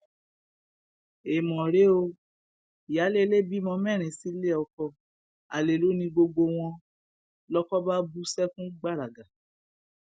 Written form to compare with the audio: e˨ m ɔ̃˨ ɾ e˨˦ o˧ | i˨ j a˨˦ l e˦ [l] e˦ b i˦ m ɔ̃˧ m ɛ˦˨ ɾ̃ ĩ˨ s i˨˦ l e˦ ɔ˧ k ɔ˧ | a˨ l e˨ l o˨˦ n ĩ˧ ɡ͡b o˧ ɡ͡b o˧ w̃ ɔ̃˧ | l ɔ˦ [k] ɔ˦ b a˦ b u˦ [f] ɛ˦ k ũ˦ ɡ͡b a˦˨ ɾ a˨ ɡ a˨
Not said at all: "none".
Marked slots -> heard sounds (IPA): l, k, s

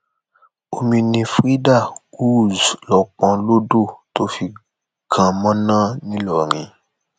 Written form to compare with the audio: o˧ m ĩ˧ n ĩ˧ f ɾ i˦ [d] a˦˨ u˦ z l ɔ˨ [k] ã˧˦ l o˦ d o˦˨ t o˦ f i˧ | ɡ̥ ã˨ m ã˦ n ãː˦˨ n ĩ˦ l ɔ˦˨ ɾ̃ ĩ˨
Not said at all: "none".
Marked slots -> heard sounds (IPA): d, k͡p

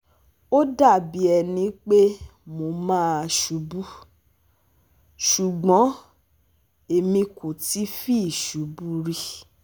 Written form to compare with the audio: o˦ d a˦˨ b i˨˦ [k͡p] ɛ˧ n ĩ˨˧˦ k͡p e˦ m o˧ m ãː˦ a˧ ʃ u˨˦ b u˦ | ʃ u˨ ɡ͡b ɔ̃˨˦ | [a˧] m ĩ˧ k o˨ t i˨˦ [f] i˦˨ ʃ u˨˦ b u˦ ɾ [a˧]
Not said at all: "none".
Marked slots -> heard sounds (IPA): none, e˧, f, i˧

